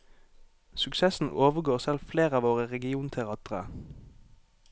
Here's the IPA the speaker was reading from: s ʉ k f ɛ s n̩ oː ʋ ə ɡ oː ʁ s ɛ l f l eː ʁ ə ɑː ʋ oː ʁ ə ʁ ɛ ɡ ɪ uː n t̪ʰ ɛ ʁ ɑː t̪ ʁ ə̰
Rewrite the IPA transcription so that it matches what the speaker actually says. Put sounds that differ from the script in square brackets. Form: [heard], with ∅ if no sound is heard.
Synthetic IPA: s ʉ k [s] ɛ s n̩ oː ʋ ə ɡ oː ʁ s ɛ l f l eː ʁ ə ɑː ʋ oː ʁ ə ʁ ɛ ɡ ɪ uː n t̪ʰ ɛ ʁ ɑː t̪ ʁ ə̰

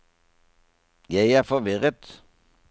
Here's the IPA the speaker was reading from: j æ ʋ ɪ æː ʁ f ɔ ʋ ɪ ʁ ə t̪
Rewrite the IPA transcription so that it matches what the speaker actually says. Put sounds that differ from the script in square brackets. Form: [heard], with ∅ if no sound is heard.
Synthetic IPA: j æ [∅] ɪ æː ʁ f ɔ ʋ ɪ ʁ ə t̪

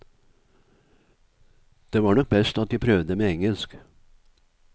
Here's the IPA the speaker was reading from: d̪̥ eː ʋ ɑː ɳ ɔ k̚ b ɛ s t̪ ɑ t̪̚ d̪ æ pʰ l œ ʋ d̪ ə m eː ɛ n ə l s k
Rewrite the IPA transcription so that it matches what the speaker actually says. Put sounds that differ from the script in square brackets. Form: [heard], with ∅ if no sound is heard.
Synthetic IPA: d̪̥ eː ʋ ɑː ɳ ɔ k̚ b ɛ s t̪ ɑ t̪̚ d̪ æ pʰ [ɾ] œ ʋ d̪ ə m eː ɛ [ŋ] ə l s k

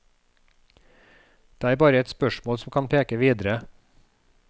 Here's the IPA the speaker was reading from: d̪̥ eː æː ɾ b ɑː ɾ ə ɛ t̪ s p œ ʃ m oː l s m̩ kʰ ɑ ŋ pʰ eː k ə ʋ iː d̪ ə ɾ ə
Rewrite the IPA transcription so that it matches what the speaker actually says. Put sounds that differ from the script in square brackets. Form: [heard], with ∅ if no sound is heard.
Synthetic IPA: d̪̥ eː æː ɾ b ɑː ɾ ə ɛ t̪ s p œ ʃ m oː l s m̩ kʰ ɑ [n] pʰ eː k ə ʋ iː d̪ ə ɾ ə

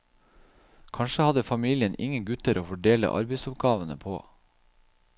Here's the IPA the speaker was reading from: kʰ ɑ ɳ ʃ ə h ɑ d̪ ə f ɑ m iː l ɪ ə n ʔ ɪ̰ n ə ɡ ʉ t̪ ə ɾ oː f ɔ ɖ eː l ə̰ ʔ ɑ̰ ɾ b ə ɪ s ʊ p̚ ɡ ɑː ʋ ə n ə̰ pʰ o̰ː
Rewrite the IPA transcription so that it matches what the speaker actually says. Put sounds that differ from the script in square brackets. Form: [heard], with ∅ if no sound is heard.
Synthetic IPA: kʰ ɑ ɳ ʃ ə h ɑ d̪ ə f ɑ m iː l ɪ ə n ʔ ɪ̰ [ŋ] ə ɡ ʉ t̪ ə ɾ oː f ɔ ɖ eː l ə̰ ʔ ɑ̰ ɾ b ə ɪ s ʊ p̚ ɡ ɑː ʋ ə n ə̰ pʰ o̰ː

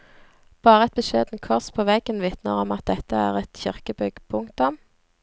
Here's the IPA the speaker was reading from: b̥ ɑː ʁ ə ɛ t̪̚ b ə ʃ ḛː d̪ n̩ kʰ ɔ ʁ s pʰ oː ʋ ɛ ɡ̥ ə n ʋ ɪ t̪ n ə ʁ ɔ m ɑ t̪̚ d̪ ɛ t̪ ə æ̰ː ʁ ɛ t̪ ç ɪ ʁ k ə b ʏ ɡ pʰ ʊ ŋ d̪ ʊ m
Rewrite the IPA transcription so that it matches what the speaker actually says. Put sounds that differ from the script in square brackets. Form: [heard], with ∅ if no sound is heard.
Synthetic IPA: b̥ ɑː ʁ ə ɛ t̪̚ b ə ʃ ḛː d̪ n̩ kʰ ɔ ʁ s pʰ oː ʋ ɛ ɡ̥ ə n ʋ ɪ t̪ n ə ʁ ɔ m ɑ t̪̚ d̪ ɛ t̪ ə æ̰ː ʁ ɛ t̪ ç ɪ ʁ k ə b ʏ ɡ pʰ ʊ ŋ [t̪] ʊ m

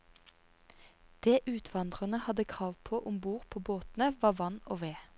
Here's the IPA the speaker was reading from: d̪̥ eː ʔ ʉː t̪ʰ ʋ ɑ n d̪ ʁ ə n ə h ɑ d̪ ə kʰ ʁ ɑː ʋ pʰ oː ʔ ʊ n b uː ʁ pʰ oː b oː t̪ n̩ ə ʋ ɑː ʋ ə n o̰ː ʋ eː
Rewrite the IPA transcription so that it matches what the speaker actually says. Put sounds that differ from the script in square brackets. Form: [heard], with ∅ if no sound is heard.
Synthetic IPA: d̪̥ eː ʔ ʉː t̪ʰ ʋ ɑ n d̪ ʁ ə n ə h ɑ d̪ ə kʰ ʁ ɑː ʋ pʰ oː ʔ ʊ [m] b uː ʁ pʰ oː b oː t̪ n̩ ə ʋ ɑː ʋ [ɑ] n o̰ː ʋ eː

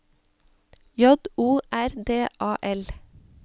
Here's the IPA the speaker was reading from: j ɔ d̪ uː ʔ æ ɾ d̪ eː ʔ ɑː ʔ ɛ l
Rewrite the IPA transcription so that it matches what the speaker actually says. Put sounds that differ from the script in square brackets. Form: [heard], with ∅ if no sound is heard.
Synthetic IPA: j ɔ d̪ uː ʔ æ ɾ d̪ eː ʔ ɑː ʔ ɛ l

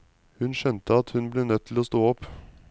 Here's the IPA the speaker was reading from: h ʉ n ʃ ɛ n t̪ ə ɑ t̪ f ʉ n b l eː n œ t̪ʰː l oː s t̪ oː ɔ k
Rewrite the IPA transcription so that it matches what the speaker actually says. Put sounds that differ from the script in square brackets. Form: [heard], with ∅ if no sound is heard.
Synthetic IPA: h ʉ n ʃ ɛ n t̪ ə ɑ t̪ [h] ʉ n b l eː n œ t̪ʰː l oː s t̪ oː ɔ [p]

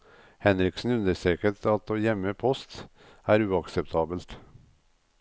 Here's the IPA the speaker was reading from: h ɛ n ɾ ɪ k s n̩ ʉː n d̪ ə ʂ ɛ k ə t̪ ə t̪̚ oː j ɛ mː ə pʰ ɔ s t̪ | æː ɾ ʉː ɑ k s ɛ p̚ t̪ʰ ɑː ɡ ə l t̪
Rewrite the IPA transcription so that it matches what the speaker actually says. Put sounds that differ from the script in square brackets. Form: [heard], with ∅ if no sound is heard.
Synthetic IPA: h ɛ n ɾ ɪ k s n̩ [ʉ] n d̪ ə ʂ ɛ k ə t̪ [ɑ] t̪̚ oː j ɛ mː ə pʰ ɔ s t̪ | æː ɾ ʉː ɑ k s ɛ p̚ t̪ʰ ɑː [b] ə l t̪

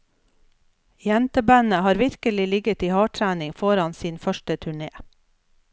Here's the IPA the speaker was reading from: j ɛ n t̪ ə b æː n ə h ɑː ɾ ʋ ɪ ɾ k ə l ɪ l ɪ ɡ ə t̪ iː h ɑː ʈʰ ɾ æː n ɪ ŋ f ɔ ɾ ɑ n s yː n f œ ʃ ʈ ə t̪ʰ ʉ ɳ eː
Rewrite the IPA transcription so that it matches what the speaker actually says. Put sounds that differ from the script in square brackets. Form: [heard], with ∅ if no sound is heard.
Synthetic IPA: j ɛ n t̪ ə b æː n ə h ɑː ɾ ʋ ɪ ɾ k ə l ɪ l ɪ ɡ ə t̪ iː h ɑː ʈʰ ɾ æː n ɪ ŋ f ɔ ɾ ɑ n s [iː] n f œ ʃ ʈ ə t̪ʰ ʉ ɳ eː

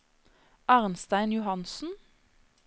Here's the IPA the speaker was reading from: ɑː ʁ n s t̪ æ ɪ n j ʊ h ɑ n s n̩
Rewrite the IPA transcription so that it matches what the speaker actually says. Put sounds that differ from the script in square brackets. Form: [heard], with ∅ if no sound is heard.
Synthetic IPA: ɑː ʁ n s t̪ æ ɪ n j ʊ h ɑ n s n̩

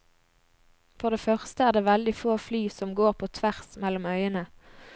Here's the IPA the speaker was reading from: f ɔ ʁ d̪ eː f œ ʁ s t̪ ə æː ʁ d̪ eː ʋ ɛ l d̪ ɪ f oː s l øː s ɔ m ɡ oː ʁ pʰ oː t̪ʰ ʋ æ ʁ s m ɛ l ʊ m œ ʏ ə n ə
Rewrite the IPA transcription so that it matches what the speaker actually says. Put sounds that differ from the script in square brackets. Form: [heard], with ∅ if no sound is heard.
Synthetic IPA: f ɔ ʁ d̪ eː f œ ʁ s t̪ ə æː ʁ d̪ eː ʋ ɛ l d̪ ɪ f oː [f] l [yː] s ɔ m ɡ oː ʁ pʰ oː t̪ʰ ʋ æ ʁ s m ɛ l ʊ m œ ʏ ə n ə

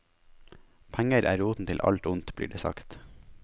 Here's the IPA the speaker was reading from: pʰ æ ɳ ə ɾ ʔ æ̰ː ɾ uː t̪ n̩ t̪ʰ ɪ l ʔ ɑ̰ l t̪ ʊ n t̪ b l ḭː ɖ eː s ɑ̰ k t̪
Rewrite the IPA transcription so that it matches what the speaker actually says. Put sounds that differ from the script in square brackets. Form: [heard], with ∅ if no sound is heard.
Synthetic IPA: pʰ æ [ŋ] ə ɾ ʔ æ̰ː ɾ uː t̪ n̩ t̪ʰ ɪ l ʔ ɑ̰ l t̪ ʊ n t̪ b l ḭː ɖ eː s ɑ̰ k t̪

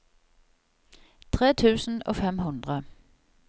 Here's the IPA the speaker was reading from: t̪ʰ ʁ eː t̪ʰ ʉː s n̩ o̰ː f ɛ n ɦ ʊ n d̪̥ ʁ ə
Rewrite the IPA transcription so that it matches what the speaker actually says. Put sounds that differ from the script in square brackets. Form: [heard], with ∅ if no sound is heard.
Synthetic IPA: t̪ʰ ʁ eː t̪ʰ ʉː s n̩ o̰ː f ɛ [m] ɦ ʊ n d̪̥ ʁ ə

